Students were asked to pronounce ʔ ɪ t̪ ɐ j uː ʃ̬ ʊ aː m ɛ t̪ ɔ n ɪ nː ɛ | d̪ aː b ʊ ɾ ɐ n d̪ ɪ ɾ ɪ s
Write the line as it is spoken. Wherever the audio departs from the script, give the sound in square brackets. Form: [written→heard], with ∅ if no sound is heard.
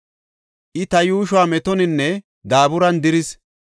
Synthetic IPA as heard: ʔ ɪ t̪ ɐ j uː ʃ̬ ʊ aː m ɛ t̪ ɔ n ɪ nː ɛ | d̪ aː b ʊ ɾ ɐ n d̪ ɪ ɾ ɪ s